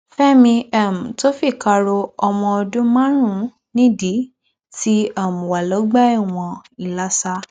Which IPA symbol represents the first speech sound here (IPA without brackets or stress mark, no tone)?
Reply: f